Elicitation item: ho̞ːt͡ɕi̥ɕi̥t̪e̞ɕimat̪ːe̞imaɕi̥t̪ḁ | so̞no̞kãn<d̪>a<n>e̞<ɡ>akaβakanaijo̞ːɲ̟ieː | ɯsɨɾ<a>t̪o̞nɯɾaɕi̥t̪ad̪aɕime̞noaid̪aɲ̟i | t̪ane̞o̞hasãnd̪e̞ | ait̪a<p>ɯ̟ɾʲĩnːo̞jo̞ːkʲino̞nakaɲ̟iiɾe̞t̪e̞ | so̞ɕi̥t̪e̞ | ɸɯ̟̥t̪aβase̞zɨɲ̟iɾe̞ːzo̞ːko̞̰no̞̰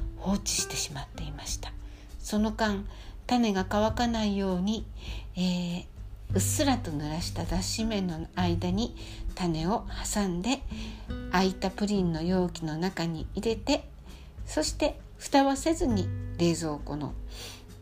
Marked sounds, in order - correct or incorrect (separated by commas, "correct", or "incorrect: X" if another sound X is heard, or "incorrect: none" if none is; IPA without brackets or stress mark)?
incorrect: t̪, correct, correct, correct, correct